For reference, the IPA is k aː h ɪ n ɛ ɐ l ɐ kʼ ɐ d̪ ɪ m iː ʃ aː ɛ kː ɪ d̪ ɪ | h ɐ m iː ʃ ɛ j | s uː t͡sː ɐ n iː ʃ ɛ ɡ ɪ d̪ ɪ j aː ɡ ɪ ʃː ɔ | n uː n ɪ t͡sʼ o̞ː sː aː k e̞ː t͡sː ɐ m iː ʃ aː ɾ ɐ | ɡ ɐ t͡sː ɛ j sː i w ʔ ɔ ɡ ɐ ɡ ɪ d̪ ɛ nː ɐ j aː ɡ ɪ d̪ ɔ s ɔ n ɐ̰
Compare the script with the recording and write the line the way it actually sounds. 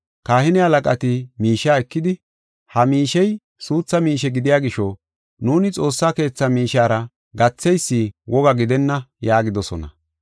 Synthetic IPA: k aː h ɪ n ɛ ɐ l ɐ kʼ ɐ t̪ ɪ m iː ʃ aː ɛ kː ɪ d̪ ɪ | h ɐ m iː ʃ ɛ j | s uː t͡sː ɐ m iː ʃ ɛ ɡ ɪ d̪ ɪ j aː ɡ ɪ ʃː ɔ | n uː n ɪ t͡sʼ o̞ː sː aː k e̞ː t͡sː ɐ m iː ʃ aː ɾ ɐ | ɡ ɐ t͡sː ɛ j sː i w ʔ ɔ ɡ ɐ ɡ ɪ d̪ ɛ nː ɐ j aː ɡ ɪ d̪ ɔ s ɔ n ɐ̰